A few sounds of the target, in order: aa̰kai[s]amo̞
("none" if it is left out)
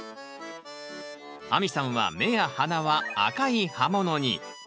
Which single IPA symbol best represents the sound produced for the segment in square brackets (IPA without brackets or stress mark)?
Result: h